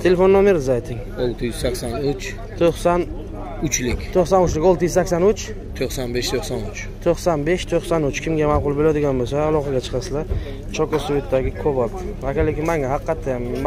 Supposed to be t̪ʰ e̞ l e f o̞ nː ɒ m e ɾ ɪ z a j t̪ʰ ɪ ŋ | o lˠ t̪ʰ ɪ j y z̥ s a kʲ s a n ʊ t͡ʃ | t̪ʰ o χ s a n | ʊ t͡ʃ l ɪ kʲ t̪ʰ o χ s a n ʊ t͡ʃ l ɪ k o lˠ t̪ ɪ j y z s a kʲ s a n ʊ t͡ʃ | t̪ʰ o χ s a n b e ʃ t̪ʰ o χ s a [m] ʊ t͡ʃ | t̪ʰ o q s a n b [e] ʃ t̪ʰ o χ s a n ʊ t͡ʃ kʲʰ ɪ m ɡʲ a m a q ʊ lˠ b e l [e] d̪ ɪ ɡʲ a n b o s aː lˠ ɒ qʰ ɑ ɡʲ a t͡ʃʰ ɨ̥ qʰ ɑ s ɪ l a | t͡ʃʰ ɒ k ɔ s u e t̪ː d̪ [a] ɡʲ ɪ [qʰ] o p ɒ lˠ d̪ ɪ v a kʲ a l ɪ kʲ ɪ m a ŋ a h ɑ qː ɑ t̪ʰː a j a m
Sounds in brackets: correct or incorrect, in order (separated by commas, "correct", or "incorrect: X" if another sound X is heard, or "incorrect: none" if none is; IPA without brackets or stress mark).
incorrect: n, correct, incorrect: a, correct, incorrect: kʰ